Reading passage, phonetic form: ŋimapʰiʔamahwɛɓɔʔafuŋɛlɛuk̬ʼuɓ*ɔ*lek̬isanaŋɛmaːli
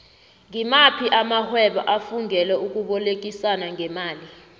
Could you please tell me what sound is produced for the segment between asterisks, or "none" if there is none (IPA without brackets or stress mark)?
ɔ